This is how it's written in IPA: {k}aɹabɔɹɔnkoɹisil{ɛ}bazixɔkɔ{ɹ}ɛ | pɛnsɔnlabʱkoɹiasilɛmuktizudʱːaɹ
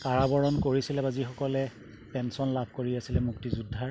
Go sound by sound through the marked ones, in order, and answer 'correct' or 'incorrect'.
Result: correct, correct, incorrect

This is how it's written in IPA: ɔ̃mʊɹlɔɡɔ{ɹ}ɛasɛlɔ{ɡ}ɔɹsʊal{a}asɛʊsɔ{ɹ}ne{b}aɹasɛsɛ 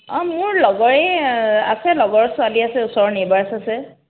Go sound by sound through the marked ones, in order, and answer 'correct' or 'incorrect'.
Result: correct, correct, incorrect, correct, correct

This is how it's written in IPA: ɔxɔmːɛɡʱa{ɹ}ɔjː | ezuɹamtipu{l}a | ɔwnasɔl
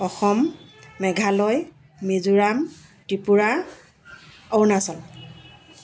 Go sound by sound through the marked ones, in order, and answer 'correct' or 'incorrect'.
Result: incorrect, incorrect

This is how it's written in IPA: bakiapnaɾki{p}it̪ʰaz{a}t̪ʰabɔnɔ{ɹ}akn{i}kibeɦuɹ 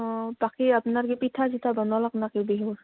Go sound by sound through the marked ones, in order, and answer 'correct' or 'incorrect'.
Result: correct, incorrect, incorrect, incorrect

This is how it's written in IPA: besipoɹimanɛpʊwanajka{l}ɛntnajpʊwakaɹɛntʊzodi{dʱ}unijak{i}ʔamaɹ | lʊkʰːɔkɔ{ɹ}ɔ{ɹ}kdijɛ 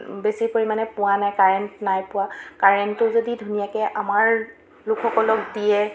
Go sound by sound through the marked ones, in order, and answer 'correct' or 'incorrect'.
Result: incorrect, correct, incorrect, incorrect, incorrect

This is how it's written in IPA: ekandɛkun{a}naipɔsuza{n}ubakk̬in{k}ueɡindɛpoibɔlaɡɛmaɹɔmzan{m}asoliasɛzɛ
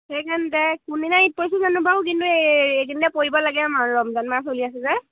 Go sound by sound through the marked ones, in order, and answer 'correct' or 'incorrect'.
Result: incorrect, correct, incorrect, correct

